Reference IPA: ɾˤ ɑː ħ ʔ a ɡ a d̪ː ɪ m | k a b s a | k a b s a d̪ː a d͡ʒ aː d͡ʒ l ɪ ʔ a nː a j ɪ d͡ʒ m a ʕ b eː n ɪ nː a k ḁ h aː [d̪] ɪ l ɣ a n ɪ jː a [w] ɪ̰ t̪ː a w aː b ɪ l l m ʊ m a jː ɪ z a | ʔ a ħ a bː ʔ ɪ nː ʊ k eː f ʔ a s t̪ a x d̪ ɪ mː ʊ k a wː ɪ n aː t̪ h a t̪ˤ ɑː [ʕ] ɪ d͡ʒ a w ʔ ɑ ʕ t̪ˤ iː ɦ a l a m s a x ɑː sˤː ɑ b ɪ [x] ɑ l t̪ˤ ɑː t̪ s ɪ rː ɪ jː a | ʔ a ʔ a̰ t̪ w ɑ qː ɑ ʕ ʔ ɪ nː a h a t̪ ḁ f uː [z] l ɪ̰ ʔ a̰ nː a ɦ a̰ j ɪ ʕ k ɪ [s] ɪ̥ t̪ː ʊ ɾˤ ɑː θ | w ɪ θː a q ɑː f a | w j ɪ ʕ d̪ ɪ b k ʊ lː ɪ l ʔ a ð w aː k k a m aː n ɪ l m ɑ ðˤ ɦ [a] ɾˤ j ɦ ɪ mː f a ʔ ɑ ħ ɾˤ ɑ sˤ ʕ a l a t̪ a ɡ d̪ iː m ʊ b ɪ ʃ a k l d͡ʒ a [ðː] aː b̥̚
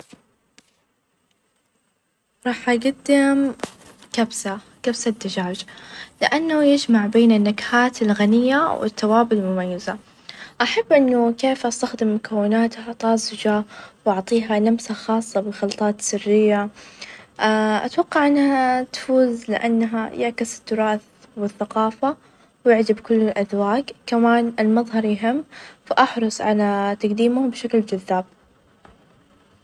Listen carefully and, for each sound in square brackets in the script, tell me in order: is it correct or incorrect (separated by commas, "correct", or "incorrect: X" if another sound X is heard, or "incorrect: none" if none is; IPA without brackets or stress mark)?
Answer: incorrect: t̪, correct, incorrect: z, correct, correct, correct, incorrect: ɑ, correct